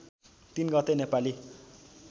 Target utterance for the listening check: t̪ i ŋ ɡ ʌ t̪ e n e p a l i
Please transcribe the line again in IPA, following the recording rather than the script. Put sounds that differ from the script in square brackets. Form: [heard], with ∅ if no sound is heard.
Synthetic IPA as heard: t̪ i [n] ɡ ʌ t̪ e n e p a l i